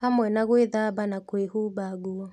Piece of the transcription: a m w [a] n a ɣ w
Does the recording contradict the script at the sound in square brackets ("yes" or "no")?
yes